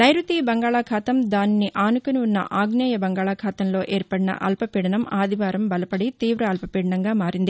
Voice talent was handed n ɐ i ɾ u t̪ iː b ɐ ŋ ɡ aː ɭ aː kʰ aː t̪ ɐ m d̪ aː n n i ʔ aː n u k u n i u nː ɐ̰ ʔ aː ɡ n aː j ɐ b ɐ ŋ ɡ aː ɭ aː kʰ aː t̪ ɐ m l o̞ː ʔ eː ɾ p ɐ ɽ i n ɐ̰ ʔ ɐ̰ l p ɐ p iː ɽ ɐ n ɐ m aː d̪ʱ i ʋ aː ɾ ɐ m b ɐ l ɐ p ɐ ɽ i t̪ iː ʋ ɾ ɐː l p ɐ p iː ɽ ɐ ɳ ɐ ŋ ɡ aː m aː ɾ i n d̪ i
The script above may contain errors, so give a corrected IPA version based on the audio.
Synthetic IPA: n ɐ j ɾ u t̪ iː b ɐ ŋ ɡ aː ɭ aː kʰ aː t̪ ɐ m d̪ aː n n i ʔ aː n u k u n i u nː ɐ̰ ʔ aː ɡ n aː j ɐ b ɐ ŋ ɡ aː ɭ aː kʰ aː t̪ ɐ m l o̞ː ʔ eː ɾ p ɐ ɽ i n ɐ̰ ʔ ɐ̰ l p ɐ p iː ɽ ɐ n ɐ m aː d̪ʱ i ʋ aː ɾ ɐ m b ɐ l ɐ p ɐ ɽ i t̪ iː ʋ ɾ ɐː l p ɐ p iː ɽ ɐ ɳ ɐ ŋ ɡ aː m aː ɾ i n d̪ i

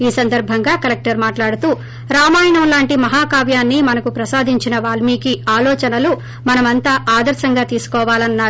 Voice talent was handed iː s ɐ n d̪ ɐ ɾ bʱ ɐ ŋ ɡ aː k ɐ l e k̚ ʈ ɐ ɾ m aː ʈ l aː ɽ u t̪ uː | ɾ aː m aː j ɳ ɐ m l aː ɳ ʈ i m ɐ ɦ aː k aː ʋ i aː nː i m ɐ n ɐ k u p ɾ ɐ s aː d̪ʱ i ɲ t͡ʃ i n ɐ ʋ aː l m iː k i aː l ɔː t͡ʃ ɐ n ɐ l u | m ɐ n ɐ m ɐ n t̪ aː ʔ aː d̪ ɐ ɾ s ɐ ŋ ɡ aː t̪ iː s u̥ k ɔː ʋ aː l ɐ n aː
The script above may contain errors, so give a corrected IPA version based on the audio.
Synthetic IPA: iː s ɐ n d̪ ɐ ɾ bʱ ɐ ŋ ɡ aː k ɐ l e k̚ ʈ ɐ ɾ m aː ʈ l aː ɽ u t̪ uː | ɾ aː m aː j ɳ ɐ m l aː ɳ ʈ i m ɐ ɦ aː k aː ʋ j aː nː i m ɐ n ɐ k u p ɾ ɐ s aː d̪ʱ i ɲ t͡ʃ i n ɐ ʋ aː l m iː k i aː l ɔː t͡ʃ ɐ n ɐ l u | m ɐ n ɐ m ɐ n t̪ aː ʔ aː d̪ ɐ ɾ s ɐ ŋ ɡ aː t̪ iː s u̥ k ɔː ʋ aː l ɐ nː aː

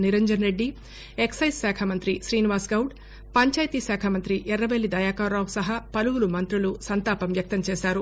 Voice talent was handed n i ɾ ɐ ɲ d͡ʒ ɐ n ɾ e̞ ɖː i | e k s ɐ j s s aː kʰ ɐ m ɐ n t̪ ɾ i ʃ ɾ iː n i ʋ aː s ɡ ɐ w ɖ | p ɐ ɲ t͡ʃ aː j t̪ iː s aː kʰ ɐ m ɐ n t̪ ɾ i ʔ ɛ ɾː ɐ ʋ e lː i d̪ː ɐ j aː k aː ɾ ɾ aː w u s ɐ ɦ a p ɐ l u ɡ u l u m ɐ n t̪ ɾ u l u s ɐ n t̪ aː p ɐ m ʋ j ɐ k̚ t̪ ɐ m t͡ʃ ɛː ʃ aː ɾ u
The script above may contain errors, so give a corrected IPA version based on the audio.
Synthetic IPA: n i ɾ ɐ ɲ d͡ʒ ɐ n ɾ e̞ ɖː i | e k s ɐ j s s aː kʰ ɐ m ɐ n t̪ ɾ i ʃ ɾ iː n i ʋ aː s ɡ ɐ w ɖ | p ɐ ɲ t͡ʃ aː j t̪ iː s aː kʰ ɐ m ɐ n t̪ ɾ i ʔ ɛ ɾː ɐ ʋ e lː i d̪ ɐ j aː k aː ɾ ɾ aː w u s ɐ ɦ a p ɐ l u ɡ u l u m ɐ n t̪ ɾ u l u s ɐ n t̪ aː p ɐ m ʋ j ɐ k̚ t̪ ɐ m t͡ʃ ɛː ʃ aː ɾ u

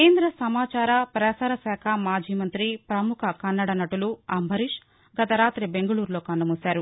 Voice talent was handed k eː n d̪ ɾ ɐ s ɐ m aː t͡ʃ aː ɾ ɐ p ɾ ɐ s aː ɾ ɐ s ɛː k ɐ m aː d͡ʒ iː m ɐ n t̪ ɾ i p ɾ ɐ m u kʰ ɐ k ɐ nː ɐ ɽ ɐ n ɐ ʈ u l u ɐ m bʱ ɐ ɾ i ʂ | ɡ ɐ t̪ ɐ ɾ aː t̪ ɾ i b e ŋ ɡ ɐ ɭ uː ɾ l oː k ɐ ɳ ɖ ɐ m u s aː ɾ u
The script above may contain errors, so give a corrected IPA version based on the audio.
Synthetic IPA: k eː n d̪ ɾ ɐ s ɐ m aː t͡ʃ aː ɾ ɐ p ɾ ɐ s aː ɾ ɐ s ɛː kʰ ɐ m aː d͡ʒ iː m ɐ n t̪ ɾ i p ɾ ɐ m u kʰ ɐ k ɐ nː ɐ ɽ ɐ n ɐ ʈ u l u ɐ m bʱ ɐ ɾ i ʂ | ɡ ɐ t̪ ɐ ɾ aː t̪ ɾ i b e ŋ ɡ ɐ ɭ uː ɾ l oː k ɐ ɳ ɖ ɐ m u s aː ɾ u

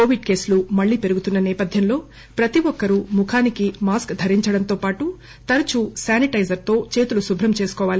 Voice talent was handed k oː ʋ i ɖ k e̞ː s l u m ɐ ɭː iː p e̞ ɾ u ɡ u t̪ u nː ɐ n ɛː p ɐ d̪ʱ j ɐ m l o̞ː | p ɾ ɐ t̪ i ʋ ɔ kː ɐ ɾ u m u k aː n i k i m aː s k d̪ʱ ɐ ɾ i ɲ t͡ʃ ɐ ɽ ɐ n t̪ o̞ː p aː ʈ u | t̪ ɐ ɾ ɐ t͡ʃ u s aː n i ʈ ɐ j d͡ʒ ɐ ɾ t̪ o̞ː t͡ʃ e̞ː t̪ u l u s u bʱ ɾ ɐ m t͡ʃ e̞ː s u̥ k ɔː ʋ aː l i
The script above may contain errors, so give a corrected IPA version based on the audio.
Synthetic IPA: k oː ʋ i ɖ k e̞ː s l u m ɐ ɭː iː p e̞ ɾ u ɡ u t̪ u nː ɐ n ɛː p ɐ d̪ʱ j ɐ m l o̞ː | p ɾ ɐ t̪ i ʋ ɔ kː ɐ ɾ u m u kʰ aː n i k i m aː s k d̪ʱ ɐ ɾ i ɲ t͡ʃ ɐ ɽ ɐ n t̪ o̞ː p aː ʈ u | t̪ ɐ ɾ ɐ t͡ʃ u s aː n i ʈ ɐ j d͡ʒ ɐ ɾ t̪ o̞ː t͡ʃ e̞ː t̪ u l u s u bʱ ɾ ɐ m t͡ʃ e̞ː s u̥ k ɔː ʋ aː l i

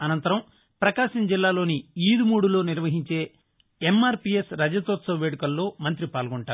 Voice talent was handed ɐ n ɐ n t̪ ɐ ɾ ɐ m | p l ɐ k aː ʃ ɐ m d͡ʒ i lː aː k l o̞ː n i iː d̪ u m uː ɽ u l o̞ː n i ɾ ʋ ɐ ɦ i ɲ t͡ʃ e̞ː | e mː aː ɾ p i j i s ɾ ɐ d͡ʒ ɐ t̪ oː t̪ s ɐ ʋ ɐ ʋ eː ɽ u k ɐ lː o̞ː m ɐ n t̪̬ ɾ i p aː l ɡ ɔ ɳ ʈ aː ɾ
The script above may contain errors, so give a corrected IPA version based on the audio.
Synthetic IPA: ɐ n ɐ n t̪ ɐ ɾ ɐ m | p ɾ ɐ k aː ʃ ɐ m d͡ʒ i lː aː l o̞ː n i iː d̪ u m uː ɽ u l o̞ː n i ɾ ʋ ɐ ɦ i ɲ t͡ʃ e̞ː | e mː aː ɾ p i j e s ɾ ɐ d͡ʒ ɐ t̪ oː t̪ s ɐ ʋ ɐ ʋ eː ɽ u k ɐ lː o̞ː m ɐ n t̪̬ ɾ i p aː l ɡ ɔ ɳ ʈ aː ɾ

